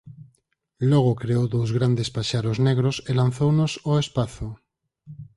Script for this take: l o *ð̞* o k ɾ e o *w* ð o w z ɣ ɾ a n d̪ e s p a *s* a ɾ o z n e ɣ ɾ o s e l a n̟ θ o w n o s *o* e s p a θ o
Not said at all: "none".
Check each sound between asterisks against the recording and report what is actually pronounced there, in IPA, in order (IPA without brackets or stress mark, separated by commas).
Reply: ɣ̞, w, ʃ, o